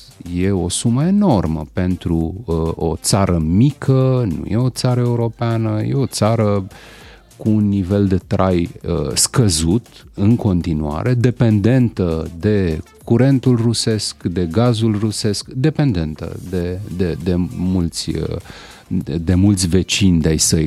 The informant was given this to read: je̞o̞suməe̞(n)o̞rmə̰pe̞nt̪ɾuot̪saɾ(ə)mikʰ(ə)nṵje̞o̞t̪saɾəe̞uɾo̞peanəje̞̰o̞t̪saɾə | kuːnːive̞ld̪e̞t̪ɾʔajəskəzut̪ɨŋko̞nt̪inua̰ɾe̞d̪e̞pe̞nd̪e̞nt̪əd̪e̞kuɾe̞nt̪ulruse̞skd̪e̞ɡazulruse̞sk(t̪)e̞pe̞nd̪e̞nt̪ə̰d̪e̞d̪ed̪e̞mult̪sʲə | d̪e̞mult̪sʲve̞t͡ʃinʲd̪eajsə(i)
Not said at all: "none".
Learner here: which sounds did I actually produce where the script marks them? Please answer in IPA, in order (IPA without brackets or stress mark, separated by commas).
n, ə, ə, d̪, j